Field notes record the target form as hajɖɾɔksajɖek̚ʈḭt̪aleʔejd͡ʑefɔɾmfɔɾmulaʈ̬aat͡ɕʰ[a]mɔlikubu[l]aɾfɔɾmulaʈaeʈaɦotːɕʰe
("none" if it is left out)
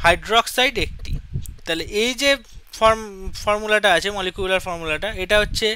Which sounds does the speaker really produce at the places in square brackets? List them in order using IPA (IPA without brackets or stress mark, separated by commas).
e, l